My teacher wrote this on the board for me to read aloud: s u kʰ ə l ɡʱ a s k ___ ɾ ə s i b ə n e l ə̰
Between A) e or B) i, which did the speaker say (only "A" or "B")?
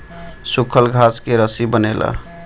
A